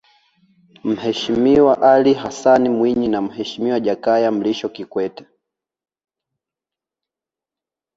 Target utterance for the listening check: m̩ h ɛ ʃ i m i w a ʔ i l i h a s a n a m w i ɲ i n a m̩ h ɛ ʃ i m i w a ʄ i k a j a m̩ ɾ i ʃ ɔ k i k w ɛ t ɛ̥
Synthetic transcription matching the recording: m̩ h ɛ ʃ i m i w a ʔ a l i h a s a n i m w i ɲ i n a m̩ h ɛ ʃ i m i w a ʄ a k a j a m̩ l i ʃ ɔ k i k w ɛ t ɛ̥